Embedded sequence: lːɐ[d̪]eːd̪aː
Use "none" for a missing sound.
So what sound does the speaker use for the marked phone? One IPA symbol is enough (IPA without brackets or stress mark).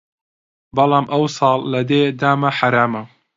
d̪